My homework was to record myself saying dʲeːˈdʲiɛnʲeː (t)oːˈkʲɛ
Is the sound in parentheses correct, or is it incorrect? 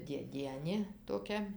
correct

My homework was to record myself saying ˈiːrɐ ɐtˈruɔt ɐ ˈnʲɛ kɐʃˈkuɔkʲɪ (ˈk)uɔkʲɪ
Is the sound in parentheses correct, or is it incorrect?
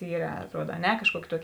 incorrect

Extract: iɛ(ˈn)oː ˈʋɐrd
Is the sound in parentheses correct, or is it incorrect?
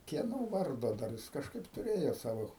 correct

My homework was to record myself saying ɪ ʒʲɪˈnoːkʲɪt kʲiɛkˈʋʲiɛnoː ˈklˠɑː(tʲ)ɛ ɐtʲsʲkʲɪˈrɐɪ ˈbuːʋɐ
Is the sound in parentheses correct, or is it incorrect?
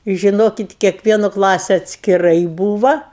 incorrect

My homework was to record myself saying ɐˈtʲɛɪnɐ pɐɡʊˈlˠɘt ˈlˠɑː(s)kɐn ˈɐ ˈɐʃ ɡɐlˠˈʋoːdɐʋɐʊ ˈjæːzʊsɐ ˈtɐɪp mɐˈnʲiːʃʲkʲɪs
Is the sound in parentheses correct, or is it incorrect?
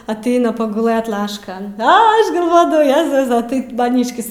incorrect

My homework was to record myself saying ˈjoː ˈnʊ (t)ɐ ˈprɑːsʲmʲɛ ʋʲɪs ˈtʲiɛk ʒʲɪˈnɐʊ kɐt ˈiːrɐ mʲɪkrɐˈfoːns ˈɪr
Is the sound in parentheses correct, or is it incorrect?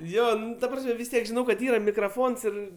correct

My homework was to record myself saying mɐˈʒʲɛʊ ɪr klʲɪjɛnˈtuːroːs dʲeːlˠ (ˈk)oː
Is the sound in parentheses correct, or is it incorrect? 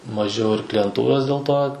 incorrect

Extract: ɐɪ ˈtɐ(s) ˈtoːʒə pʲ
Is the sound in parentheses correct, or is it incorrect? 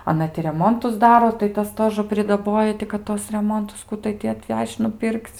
correct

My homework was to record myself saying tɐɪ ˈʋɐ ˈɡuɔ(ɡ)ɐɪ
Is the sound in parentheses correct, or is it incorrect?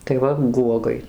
correct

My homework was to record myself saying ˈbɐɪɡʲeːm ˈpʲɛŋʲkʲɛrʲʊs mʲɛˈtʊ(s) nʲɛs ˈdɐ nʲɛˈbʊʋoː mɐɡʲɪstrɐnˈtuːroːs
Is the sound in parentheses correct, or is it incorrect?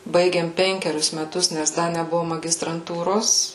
correct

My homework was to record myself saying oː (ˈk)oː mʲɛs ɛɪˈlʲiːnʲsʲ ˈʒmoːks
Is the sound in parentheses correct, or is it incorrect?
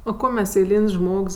correct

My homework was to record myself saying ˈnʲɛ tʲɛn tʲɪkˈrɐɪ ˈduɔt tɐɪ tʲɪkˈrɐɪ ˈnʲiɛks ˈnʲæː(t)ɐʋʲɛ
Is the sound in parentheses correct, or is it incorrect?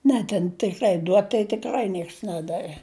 incorrect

